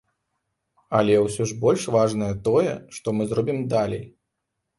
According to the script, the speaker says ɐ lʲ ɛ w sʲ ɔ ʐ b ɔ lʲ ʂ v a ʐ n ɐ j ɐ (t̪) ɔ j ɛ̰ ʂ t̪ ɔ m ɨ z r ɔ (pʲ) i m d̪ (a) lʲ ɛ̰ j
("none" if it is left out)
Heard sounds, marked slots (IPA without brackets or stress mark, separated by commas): t̪, bʲ, a